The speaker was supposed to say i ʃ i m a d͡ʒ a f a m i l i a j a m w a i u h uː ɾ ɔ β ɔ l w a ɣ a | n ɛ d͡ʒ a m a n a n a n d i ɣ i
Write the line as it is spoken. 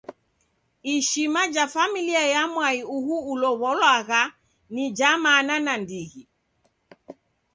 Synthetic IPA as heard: i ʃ i m a d͡ʒ a f a m i l i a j a m w a i u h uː l ɔ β ɔ l w a ɣ a | n i d͡ʒ a m a n a n a n d i ɣ i